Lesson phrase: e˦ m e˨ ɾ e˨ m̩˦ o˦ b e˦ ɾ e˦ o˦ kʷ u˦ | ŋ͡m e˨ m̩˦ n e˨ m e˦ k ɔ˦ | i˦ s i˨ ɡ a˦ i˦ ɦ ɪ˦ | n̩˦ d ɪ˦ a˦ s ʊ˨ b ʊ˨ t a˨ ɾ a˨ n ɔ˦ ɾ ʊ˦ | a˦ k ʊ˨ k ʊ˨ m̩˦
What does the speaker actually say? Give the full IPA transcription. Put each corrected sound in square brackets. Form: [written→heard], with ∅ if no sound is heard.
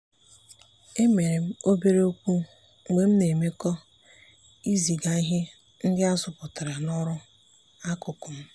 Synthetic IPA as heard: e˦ m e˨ ɾ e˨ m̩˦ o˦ b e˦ ɾ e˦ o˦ kʷ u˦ | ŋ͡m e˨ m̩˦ n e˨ m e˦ k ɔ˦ | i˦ [s→z] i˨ ɡ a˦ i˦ ɦ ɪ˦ | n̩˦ d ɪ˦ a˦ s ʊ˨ [b→p] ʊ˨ t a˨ ɾ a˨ n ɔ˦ ɾ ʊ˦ | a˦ k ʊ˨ k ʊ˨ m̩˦